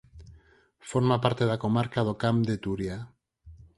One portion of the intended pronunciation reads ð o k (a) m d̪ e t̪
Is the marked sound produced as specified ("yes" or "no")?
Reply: yes